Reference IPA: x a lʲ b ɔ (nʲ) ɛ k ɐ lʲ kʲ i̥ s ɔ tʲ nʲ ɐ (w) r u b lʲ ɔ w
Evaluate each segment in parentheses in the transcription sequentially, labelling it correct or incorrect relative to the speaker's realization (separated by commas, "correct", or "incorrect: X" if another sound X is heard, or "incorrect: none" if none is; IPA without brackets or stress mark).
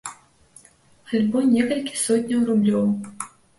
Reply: correct, correct